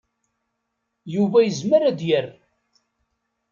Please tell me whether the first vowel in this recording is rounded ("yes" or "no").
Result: yes